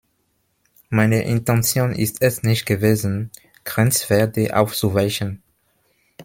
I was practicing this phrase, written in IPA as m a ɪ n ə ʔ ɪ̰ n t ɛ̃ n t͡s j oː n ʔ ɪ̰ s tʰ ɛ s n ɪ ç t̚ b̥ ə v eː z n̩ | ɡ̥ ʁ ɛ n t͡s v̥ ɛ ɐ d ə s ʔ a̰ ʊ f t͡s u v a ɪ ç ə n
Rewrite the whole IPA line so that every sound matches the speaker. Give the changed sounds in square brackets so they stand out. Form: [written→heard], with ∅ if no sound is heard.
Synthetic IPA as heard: m a ɪ n ə ʔ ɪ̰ n t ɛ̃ n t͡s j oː n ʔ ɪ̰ s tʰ ɛ s n ɪ ç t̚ [b̥→ɡ̥] ə v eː z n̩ | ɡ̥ ʁ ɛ n t͡s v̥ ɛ ɐ d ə [s→∅] ʔ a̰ ʊ f t͡s u v a ɪ ç ə n